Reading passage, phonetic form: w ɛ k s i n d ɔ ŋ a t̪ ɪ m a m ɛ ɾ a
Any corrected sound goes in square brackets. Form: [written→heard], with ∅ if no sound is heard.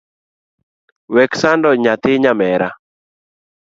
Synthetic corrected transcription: w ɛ k s [i→a] n d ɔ [ŋ→ɲ] a t̪ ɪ [m→ɲ] a m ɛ ɾ a